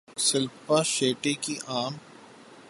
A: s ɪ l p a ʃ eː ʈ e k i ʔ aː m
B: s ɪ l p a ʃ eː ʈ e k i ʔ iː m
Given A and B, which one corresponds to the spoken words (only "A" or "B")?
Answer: A